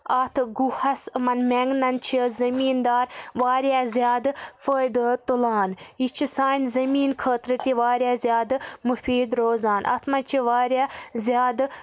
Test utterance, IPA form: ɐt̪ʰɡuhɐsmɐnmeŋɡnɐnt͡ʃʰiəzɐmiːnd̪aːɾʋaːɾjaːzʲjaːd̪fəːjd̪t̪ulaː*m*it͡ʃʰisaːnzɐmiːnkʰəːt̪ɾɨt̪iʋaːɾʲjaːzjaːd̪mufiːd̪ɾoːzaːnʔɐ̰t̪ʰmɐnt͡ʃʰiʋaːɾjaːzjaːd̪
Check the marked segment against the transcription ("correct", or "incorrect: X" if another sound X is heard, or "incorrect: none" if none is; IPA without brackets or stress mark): incorrect: n